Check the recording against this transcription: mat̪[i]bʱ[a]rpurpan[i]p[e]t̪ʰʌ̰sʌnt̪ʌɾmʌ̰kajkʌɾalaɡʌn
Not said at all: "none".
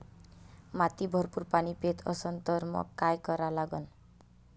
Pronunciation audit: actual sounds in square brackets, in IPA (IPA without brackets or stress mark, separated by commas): i, ʌ, i, e